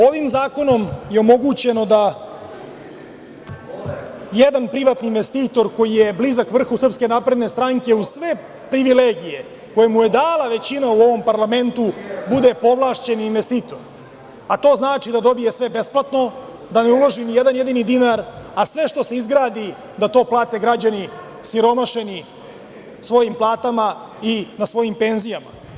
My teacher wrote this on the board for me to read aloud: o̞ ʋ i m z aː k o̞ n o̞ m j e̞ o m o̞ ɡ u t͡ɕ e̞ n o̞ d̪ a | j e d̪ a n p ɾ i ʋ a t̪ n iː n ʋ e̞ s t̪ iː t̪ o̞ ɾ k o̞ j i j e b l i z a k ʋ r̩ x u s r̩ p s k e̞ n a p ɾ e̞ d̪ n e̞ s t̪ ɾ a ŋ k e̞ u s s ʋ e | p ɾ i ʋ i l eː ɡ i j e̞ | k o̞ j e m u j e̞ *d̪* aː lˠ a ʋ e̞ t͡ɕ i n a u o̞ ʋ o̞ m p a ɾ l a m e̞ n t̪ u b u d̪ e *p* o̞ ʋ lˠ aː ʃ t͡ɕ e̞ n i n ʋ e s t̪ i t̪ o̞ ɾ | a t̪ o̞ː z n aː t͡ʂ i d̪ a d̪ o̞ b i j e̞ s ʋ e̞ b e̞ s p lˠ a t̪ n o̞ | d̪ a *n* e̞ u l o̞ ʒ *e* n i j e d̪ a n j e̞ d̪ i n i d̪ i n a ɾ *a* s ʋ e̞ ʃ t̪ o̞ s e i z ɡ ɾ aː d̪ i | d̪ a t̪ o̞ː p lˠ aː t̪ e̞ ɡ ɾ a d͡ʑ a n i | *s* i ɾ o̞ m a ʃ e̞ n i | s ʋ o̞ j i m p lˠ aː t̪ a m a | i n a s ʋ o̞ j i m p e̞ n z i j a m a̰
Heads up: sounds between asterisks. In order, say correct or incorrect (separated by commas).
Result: correct, correct, correct, incorrect, correct, correct